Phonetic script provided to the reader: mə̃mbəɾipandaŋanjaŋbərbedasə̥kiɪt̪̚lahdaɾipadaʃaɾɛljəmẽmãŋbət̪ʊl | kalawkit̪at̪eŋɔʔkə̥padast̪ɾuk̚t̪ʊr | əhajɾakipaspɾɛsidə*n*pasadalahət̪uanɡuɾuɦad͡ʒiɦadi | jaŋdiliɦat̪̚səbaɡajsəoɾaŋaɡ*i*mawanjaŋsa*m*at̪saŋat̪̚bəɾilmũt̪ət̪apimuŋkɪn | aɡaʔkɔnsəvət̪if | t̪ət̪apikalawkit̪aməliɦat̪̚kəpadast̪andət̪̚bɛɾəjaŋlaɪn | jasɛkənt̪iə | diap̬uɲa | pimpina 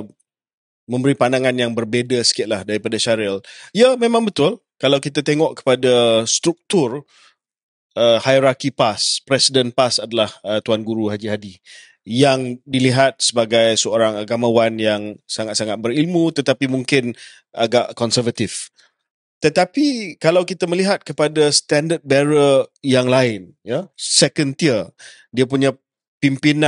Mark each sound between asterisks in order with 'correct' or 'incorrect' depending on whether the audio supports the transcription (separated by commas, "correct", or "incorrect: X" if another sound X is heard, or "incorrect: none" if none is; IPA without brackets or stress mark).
correct, incorrect: a, incorrect: ŋ